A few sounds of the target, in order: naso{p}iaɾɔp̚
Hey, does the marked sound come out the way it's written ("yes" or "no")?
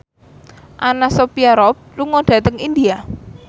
yes